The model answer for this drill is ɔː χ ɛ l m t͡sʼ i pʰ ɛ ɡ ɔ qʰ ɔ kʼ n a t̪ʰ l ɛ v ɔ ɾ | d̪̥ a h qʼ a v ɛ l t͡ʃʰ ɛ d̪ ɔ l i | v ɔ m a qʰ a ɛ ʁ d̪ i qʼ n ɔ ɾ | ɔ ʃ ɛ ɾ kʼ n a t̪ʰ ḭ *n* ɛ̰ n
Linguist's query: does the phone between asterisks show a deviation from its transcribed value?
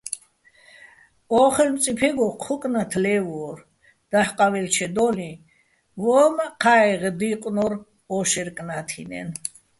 no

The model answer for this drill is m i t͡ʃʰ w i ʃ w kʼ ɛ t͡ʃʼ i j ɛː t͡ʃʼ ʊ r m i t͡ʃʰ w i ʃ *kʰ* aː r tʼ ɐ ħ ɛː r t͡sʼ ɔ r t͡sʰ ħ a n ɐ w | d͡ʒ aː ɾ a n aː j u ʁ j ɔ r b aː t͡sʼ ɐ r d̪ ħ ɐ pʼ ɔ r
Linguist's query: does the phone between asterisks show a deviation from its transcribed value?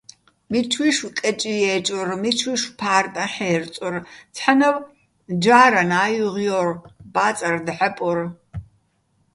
yes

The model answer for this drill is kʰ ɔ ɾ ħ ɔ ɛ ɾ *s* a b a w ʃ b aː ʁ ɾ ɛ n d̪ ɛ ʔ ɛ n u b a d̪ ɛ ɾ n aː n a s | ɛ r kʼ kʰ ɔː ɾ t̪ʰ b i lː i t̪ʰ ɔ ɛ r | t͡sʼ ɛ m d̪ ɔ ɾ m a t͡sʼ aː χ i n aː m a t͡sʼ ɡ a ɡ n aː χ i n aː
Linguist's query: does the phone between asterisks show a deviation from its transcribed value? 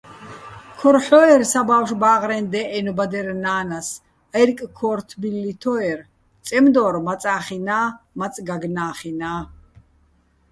no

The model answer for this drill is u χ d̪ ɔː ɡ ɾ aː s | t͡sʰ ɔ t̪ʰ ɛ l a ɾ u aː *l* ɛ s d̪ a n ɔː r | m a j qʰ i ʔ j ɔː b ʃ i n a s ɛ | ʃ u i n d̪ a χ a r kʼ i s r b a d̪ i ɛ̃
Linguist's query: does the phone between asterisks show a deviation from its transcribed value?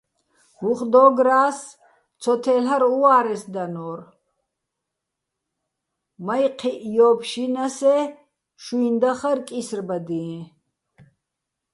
yes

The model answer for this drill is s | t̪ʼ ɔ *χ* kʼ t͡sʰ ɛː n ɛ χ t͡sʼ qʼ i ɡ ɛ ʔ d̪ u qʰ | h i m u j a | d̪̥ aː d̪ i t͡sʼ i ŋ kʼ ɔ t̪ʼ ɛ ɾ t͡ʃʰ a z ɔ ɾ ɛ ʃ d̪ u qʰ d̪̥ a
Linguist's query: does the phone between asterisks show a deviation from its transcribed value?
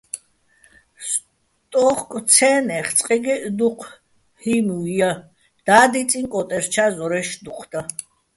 no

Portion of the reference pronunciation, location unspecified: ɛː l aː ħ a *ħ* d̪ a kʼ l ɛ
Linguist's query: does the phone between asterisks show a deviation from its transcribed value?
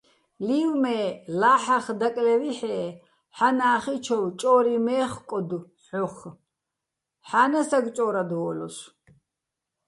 yes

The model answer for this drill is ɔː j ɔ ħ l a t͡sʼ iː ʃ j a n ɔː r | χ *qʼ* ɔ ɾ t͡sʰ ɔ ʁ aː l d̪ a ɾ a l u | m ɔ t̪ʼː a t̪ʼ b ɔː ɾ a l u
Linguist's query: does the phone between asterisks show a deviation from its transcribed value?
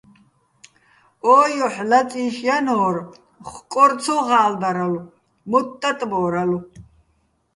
yes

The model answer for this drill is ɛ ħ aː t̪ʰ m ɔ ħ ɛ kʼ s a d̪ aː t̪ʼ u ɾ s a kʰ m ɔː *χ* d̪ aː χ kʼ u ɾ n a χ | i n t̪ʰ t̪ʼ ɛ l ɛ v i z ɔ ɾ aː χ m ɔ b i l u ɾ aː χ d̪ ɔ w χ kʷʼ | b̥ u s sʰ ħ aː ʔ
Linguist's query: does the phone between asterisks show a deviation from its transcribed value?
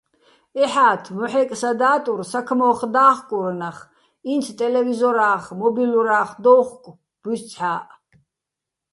no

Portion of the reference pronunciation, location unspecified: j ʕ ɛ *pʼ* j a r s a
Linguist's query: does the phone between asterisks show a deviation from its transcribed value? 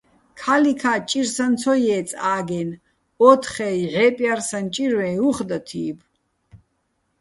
no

